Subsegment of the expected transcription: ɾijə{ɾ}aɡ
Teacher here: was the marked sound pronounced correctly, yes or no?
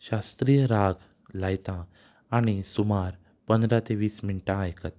yes